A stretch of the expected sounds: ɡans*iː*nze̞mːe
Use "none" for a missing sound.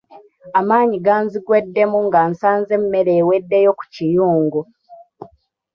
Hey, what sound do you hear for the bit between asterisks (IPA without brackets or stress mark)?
aː